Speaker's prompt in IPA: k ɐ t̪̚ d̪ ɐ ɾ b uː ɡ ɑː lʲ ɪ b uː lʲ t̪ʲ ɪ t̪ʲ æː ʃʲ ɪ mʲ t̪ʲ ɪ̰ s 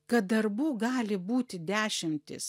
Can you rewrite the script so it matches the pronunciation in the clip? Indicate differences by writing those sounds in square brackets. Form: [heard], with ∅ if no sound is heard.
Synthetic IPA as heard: k ɐ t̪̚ d̪ ɐ ɾ b uː ɡ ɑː lʲ ɪ b uː [∅] t̪ʲ ɪ [d̪ʲ] æː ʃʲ ɪ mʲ t̪ʲ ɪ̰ s